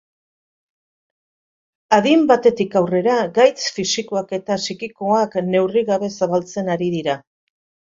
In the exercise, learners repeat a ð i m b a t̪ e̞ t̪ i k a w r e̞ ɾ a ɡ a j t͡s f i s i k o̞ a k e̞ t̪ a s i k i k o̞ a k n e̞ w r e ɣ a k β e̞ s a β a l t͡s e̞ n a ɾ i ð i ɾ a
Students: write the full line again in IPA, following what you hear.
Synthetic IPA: a ð i m b a t̪ e̞ t̪ i k a w r e̞ ɾ a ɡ a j t͡s f i s i k o̞ a k e̞ t̪ a s i k i k o̞ a k n e̞ w r i ɣ a β e̞ s a β a l t͡s e̞ n a ɾ i ð i ɾ a